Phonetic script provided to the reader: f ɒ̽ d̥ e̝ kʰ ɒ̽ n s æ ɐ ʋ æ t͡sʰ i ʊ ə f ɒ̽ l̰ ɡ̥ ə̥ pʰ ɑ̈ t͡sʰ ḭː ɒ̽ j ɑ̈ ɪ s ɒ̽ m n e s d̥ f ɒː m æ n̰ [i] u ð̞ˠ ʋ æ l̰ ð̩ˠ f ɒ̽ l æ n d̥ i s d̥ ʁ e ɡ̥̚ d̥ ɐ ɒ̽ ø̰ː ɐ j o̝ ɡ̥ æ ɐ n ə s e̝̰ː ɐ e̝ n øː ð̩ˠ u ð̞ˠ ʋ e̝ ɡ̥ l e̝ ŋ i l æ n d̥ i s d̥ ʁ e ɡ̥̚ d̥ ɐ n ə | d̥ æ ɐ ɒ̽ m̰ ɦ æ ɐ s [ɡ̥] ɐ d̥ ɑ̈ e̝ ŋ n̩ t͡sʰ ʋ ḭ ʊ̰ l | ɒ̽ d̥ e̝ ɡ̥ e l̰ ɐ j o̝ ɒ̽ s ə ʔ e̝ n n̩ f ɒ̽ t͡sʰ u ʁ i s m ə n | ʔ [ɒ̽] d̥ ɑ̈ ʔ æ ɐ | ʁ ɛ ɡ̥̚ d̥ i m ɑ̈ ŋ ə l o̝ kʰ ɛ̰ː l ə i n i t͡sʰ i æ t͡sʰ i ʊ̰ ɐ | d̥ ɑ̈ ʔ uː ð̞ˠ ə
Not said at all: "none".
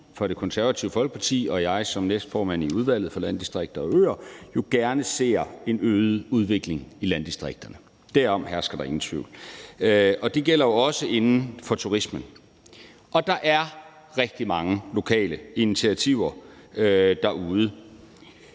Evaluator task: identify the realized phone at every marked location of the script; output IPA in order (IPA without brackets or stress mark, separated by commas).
i, ɡ̥, ɒ̽